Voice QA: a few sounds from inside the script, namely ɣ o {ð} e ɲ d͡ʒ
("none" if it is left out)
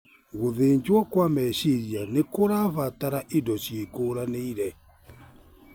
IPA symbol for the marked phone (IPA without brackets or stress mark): ð